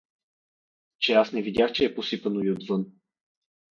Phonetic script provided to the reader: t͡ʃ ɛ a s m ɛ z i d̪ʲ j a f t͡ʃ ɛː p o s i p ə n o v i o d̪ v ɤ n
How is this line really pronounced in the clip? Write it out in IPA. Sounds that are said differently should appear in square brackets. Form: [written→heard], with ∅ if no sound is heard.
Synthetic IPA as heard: t͡ʃ ɛ a s [m→n] ɛ [z→v] i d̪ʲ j a [f→x] t͡ʃ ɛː p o s i p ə n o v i o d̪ v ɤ n